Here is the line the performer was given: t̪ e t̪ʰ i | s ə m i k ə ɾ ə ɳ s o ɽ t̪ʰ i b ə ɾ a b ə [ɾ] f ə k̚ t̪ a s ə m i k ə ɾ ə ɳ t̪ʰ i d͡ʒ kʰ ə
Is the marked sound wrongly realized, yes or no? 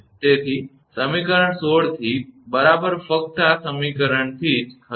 no